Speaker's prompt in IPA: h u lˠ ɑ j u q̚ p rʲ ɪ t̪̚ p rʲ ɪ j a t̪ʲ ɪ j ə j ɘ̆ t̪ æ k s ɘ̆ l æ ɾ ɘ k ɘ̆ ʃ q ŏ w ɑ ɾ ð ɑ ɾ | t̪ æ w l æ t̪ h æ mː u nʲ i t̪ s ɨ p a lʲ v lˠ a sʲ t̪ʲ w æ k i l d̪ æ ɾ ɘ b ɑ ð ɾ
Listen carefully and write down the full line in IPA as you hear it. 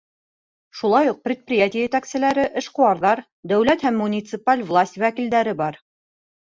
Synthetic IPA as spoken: ʃ u lˠ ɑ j u q̚ p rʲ ɪ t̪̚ p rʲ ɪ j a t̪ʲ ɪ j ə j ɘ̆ t̪ æ k s ɘ̆ l æ ɾ ɘ ʔ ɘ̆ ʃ q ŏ w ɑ ɾ ð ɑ ɾ | d̪ æ w l æ t̪ h æ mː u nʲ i t̪ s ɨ p a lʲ v lˠ a sʲ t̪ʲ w æ k i l d̪ æ ɾ ɘ b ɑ ɾ